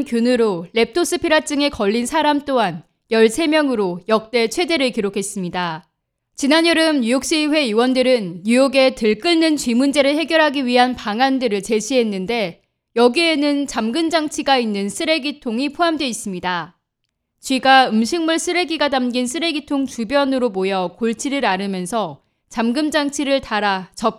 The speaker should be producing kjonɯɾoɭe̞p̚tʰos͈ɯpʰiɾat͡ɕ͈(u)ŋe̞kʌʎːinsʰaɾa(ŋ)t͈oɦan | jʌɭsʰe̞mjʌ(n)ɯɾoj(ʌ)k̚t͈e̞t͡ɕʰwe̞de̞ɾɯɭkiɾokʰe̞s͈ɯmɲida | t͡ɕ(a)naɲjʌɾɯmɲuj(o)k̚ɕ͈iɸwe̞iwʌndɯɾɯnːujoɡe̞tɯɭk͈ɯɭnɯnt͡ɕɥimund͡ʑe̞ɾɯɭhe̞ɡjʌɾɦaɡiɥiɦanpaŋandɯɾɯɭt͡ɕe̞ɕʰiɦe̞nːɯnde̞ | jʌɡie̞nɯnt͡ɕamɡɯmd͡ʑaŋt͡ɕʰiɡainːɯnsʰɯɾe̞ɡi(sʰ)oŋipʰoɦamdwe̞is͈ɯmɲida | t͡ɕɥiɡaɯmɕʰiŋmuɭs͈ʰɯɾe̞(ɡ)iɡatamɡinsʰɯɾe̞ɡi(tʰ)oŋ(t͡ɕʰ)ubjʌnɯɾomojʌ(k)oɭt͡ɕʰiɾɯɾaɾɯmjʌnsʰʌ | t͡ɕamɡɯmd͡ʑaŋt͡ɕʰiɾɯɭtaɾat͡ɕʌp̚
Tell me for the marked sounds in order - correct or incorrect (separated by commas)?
incorrect, incorrect, incorrect, correct, incorrect, correct, incorrect, correct, correct, incorrect, correct